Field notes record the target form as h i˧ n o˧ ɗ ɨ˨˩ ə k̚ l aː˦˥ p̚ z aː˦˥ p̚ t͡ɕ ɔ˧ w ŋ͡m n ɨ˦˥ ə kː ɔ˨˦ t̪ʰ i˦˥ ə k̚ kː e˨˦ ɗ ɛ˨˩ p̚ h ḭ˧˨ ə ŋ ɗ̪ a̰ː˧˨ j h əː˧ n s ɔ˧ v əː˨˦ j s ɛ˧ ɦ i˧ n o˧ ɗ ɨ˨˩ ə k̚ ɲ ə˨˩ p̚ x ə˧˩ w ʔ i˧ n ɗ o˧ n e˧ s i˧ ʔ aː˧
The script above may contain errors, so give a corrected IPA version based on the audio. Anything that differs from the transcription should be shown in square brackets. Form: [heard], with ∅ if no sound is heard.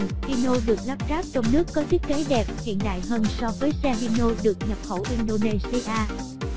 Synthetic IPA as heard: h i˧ n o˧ ɗ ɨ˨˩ ə k̚ l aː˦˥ p̚ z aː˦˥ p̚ t͡ɕ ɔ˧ w ŋ͡m n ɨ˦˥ ə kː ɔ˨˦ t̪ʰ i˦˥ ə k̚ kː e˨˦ ɗ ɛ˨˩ p̚ h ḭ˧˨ ə [n] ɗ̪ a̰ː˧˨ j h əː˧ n s ɔ˧ v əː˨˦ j s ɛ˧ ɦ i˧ n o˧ ɗ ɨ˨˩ ə k̚ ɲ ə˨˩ p̚ x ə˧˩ w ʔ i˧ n ɗ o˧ n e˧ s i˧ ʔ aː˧